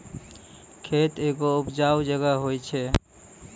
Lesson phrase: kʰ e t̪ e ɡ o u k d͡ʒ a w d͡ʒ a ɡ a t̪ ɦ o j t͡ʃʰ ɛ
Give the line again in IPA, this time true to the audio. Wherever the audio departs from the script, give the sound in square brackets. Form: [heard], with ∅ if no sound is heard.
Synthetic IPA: kʰ e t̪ e ɡ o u [p] d͡ʒ a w d͡ʒ [ə] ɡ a [∅] ɦ o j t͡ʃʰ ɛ